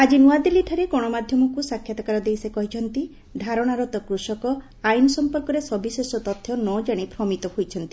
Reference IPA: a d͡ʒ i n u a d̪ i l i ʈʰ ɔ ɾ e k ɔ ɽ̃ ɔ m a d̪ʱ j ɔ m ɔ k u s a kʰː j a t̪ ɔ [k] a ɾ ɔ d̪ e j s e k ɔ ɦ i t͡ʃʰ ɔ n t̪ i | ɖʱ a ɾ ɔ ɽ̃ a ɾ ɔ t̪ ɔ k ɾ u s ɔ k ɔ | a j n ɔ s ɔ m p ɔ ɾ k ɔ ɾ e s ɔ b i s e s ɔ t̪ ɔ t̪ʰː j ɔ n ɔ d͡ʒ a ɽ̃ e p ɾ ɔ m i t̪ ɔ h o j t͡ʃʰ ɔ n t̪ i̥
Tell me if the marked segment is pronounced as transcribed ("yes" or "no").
yes